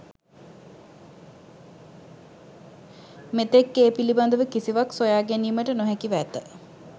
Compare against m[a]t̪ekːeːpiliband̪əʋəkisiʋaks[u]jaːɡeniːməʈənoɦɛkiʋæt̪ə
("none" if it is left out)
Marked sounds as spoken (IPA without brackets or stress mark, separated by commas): e, o